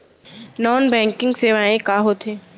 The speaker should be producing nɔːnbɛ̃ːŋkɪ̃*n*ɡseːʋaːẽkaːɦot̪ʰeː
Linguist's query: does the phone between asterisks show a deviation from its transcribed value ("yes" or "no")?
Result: yes